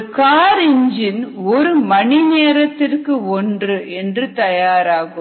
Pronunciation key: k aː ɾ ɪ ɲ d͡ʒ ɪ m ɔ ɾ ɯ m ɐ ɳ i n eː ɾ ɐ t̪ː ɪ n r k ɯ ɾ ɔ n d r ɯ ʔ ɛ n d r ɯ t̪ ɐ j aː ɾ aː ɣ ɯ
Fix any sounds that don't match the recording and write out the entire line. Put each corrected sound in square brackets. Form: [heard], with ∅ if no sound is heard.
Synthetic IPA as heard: k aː ɾ ɪ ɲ d͡ʒ ɪ [n] ɔ ɾ ɯ m ɐ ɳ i n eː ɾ ɐ t̪ː ɪ [∅] r k ɯ [∅] ɔ n d r ɯ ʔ ɛ n d r ɯ t̪ ɐ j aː ɾ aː ɣ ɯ